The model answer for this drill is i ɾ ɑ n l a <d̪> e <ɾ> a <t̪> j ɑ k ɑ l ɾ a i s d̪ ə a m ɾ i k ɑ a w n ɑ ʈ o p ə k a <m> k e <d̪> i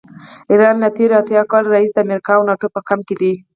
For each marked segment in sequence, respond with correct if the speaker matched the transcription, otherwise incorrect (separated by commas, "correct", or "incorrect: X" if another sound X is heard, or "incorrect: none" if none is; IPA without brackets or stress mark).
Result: incorrect: t̪, correct, correct, correct, correct